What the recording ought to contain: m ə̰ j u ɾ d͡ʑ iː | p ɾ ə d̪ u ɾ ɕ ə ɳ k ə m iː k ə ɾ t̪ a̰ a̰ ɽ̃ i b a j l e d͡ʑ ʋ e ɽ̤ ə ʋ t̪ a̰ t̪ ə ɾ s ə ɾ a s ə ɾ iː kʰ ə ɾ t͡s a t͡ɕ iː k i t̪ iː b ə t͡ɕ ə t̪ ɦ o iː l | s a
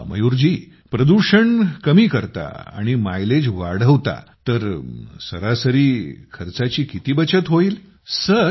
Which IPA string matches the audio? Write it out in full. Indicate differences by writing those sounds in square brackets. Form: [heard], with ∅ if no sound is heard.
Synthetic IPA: m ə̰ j u ɾ d͡ʑ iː | p ɾ ə d̪ u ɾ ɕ ə ɳ k ə m iː k ə ɾ t̪ a̰ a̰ ɽ̃ i [m] a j l e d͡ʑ ʋ [a] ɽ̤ ə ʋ t̪ a̰ t̪ ə ɾ s ə ɾ a s ə ɾ iː kʰ ə ɾ t͡s a t͡ɕ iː k i t̪ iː b ə t͡ɕ ə t̪ ɦ o iː l | s [ə]